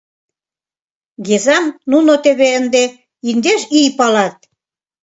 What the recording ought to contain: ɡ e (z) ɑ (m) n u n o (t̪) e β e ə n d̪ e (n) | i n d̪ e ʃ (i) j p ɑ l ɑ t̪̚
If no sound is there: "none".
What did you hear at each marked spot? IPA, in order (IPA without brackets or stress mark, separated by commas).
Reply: z, m, t̪, none, i